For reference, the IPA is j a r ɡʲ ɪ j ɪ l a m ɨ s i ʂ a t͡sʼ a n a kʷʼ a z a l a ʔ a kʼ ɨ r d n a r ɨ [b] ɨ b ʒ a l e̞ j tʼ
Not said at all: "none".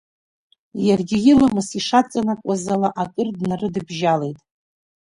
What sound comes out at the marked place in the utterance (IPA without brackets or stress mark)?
d